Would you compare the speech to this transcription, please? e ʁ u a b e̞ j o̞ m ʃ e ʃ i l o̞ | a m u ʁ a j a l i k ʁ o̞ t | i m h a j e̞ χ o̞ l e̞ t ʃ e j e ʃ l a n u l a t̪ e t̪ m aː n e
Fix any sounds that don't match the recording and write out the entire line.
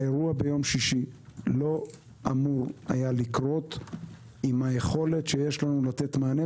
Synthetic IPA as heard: e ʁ u a b e̞ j o̞ m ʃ i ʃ i l o̞ | a m u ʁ a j a l i k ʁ o̞ t | i m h a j e̞ χ o̞ l e̞ t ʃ e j e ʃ l a n u l a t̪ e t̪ m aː n e